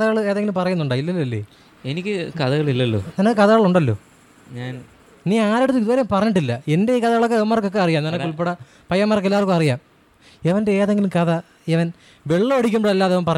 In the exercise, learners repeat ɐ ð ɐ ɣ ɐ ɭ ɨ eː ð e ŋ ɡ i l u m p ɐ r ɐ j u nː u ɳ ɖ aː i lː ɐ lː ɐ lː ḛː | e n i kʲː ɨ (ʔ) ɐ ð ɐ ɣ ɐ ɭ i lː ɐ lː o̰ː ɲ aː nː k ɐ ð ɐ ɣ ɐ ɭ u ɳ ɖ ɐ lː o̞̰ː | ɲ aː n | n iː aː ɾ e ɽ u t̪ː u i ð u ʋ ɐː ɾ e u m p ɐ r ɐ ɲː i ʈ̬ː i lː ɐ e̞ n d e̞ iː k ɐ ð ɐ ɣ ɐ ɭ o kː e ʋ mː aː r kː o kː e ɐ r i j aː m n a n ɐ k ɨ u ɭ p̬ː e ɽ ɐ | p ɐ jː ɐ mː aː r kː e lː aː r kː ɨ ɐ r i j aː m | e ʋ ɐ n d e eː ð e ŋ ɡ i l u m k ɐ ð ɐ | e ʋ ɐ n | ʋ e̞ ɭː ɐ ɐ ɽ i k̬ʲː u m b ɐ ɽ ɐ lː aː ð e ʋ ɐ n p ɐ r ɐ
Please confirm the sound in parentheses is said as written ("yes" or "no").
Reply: no